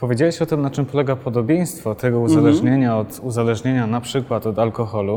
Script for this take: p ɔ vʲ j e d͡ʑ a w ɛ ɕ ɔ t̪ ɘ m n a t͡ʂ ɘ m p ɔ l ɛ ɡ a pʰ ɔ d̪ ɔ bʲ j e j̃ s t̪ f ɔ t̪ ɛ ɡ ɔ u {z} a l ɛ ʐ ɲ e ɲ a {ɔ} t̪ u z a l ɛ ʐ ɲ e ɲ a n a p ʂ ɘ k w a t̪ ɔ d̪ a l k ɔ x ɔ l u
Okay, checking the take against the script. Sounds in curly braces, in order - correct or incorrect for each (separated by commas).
correct, correct